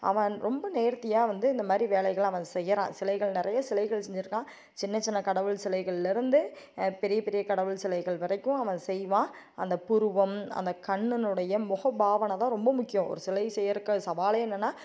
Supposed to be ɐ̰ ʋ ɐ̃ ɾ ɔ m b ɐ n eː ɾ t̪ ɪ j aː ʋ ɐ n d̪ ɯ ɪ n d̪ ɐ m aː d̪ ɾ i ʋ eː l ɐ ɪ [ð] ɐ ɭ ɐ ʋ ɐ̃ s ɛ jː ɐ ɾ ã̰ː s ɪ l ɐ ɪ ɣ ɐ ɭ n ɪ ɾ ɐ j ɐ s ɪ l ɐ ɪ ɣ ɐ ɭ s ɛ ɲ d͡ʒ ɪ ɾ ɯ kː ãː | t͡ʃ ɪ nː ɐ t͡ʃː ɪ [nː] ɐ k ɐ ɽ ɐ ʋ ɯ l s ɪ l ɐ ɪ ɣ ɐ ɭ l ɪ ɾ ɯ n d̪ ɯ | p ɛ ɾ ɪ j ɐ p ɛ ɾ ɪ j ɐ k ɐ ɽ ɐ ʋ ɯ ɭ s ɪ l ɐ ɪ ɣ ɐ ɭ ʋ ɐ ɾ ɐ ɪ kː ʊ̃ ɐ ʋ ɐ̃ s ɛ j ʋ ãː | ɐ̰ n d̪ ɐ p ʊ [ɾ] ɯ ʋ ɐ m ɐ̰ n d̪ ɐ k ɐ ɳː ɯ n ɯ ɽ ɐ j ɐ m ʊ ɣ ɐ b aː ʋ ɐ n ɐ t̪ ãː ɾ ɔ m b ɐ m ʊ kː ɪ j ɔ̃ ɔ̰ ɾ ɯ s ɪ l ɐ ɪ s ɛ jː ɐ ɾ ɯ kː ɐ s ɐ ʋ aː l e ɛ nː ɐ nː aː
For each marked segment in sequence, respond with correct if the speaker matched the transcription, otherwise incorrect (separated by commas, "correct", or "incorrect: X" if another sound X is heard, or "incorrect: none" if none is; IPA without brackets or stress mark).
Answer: incorrect: ɣ, correct, correct